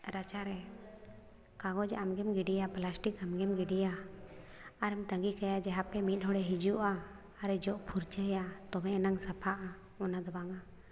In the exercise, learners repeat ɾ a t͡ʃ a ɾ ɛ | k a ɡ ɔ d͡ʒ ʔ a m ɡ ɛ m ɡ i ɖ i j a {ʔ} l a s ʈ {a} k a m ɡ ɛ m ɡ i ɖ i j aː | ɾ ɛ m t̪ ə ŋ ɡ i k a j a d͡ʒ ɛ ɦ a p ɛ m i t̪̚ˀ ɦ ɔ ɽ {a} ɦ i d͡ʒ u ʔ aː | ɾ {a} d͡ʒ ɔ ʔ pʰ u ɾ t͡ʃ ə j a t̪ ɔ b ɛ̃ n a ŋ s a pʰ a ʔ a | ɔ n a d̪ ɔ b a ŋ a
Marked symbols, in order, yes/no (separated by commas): no, no, no, no